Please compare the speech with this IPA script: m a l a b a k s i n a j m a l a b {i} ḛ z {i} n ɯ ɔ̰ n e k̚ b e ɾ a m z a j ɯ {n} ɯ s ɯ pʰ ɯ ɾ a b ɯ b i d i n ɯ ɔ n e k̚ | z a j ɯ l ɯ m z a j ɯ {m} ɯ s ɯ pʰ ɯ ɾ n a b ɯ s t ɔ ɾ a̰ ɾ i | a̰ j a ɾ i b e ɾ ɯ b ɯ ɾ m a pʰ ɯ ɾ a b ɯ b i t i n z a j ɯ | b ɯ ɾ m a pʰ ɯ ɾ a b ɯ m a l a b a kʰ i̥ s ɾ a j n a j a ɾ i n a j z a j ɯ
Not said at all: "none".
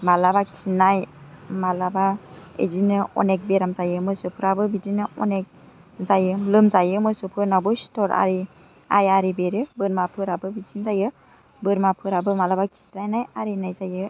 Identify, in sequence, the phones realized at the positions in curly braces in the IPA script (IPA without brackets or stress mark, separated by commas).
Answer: a, i, m, m